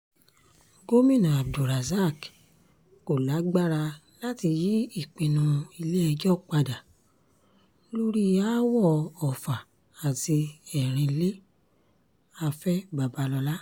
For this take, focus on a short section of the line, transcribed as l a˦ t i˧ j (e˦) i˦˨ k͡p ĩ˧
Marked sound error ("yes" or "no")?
yes